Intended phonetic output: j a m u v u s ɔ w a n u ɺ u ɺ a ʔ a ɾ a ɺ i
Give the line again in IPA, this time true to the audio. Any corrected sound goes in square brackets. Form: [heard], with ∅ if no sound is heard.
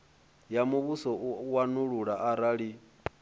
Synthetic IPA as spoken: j a m u [β] u s ɔ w a n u ɺ u ɺ a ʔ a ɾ a ɺ i

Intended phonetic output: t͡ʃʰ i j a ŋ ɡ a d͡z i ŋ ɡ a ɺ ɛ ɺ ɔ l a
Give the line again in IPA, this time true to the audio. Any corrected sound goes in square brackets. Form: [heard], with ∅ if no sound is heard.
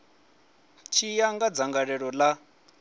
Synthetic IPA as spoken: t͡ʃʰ i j a ŋ ɡ a d͡z [a] ŋ ɡ a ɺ ɛ ɺ ɔ l a

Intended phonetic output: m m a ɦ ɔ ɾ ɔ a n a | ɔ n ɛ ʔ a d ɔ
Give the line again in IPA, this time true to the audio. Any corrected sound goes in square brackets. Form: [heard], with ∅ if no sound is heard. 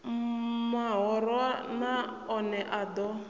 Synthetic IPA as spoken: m m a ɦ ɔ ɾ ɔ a n a | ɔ n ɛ ʔ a d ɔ

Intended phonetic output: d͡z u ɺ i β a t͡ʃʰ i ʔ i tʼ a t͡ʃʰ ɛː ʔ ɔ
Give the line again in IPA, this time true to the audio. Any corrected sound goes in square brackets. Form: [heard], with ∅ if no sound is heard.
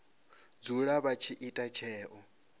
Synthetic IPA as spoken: d͡z u ɺ [a] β a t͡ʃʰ i ʔ i tʼ a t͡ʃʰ ɛː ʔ ɔ

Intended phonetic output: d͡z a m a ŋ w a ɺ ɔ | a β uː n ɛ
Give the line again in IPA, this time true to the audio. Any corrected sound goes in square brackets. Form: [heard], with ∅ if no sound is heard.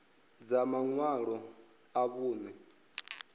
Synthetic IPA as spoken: d͡z a m a ŋ w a ɺ ɔ | a β uː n ɛ

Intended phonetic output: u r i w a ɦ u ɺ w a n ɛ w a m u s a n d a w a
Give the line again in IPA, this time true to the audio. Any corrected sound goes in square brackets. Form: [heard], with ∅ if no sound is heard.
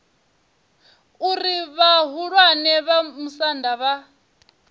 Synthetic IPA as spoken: u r i [β] a ɦ u ɺ w a n ɛ [β] a m u s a n d a [β] a

